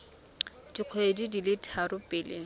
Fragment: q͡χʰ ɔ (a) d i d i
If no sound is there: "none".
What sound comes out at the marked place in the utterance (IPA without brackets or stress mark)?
e